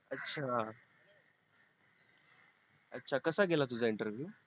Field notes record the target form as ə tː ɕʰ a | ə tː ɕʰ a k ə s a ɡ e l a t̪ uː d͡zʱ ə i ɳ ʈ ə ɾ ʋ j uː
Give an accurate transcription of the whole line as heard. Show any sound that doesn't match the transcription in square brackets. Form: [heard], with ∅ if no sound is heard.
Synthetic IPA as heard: ə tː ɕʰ a | ə tː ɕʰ a k ə s a ɡ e l a t̪ [u] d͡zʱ [a] i ɳ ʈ ə ɾ ʋ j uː